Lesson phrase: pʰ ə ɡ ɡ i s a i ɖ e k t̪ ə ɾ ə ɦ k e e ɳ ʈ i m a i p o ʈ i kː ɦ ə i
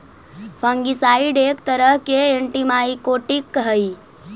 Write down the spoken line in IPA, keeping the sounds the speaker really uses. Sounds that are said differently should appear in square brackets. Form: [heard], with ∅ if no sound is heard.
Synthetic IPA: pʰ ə [ŋ] ɡ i s a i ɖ e k t̪ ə ɾ ə ɦ k e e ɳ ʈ i m a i [k] o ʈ i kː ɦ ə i